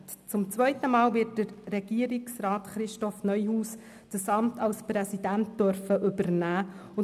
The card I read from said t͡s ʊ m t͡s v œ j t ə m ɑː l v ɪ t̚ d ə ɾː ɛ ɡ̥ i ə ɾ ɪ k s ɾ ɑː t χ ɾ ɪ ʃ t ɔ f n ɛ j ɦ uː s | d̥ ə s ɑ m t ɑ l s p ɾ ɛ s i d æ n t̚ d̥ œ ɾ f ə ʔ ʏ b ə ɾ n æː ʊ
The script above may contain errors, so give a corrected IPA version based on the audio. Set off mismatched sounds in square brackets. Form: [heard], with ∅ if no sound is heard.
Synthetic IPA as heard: t͡s ʊ m t͡s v œ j t ə m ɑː l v ɪ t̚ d ə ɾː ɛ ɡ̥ i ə ɾ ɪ k s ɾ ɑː t χ ɾ ɪ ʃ t ɔ f n [œ] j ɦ uː s | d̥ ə s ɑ m t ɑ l s p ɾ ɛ s i d æ n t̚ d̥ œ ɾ f ə ʔ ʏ b ə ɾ n æː ʊ